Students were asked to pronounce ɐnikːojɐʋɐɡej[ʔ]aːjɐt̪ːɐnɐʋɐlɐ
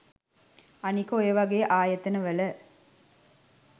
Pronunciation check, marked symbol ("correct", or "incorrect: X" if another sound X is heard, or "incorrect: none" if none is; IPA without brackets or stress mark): correct